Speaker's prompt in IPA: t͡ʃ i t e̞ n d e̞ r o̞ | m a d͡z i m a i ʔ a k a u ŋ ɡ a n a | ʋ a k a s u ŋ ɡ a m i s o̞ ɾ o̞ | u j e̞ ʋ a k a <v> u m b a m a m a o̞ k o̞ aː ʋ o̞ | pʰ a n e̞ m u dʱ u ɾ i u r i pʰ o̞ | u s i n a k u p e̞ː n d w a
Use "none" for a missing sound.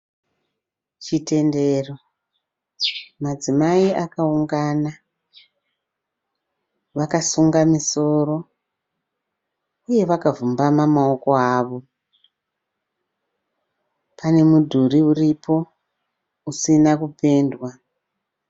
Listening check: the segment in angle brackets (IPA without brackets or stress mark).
v